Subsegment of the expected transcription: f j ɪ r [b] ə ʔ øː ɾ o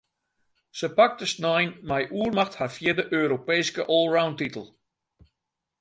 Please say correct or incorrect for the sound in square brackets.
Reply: incorrect